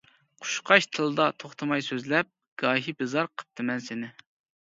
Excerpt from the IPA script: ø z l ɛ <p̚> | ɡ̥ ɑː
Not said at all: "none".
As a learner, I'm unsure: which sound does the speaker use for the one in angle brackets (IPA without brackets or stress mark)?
p̚